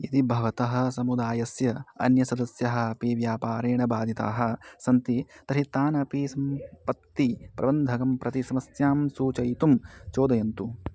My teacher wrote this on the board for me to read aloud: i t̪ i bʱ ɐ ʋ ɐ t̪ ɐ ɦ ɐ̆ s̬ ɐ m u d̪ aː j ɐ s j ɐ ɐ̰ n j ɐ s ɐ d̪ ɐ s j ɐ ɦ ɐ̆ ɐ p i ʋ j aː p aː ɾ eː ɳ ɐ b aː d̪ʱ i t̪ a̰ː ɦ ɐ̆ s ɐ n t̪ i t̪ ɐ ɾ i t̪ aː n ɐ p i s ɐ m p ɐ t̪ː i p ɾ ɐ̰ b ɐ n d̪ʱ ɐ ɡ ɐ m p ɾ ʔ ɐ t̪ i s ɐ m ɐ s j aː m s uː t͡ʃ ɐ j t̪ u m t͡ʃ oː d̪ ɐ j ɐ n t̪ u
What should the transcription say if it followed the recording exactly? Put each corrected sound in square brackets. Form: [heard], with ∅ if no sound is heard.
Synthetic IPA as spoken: i t̪ i bʱ ɐ ʋ ɐ t̪ ɐ ɦ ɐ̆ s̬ ɐ m u d̪ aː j ɐ s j ɐ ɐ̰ n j ɐ s ɐ d̪ ɐ s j ɐ ɦ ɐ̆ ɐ p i ʋ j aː p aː ɾ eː ɳ ɐ b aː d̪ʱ i t̪ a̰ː ɦ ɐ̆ s ɐ n t̪ i t̪ ɐ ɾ i t̪ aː n ɐ p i s ɐ m p ɐ t̪ː i p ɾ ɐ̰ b ɐ n d̪ʱ ɐ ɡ ɐ m p ɾ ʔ ɐ t̪ i s ɐ m ɐ s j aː m s uː t͡ʃ ɐ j t̪ u m t͡ʃ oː d̪ ɐ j ɐ n t̪ u